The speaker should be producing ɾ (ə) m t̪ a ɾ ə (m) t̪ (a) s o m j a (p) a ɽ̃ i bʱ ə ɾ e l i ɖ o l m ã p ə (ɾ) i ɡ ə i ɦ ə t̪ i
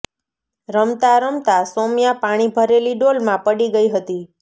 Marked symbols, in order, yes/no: yes, yes, yes, yes, no

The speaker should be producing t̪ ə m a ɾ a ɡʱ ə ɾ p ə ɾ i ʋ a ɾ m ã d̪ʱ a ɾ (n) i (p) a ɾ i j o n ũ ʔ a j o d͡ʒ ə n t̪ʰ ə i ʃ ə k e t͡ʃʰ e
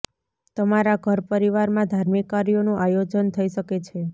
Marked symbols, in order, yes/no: no, no

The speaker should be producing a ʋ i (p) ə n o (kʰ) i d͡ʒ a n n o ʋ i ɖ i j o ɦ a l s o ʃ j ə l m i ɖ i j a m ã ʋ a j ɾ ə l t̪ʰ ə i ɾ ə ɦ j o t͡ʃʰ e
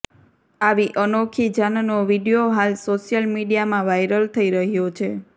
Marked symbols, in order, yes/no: no, yes

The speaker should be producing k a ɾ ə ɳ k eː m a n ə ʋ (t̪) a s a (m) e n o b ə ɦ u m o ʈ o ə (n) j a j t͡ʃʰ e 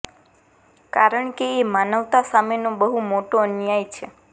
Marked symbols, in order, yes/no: yes, yes, yes

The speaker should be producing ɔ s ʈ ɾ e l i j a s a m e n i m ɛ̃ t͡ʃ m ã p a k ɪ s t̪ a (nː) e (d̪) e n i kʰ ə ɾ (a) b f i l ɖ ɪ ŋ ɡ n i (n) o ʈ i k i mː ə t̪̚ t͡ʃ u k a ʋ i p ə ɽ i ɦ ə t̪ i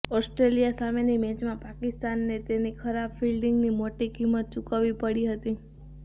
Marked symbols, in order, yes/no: yes, no, yes, no

